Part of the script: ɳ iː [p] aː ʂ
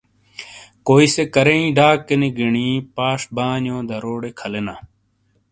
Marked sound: correct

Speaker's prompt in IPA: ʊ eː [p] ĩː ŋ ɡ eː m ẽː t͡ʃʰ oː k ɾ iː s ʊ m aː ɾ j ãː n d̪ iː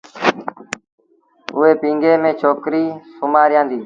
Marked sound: correct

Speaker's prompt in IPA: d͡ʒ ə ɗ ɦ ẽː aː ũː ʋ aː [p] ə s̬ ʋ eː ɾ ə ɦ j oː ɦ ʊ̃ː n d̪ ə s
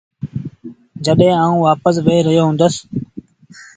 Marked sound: correct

